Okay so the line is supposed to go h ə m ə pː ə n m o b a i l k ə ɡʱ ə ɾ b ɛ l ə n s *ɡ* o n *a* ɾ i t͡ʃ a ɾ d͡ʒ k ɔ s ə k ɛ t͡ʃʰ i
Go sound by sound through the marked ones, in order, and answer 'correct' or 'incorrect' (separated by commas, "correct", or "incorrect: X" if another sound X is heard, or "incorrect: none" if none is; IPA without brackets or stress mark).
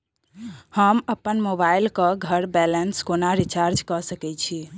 incorrect: k, correct